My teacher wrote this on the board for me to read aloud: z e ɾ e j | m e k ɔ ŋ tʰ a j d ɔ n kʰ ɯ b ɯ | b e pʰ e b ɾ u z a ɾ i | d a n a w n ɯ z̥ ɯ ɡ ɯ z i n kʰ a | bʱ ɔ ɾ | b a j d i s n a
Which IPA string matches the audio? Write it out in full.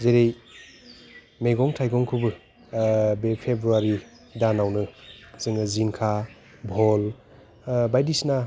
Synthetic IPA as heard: z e ɾ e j | m e ɡ ɔ ŋ tʰ a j ɡ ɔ ŋ kʰ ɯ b ɯ | b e pʰ e b ɾ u a ɾ i | d a n a w n ɯ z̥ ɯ ŋ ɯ z i n kʰ a | bʱ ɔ l | b a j d i s n a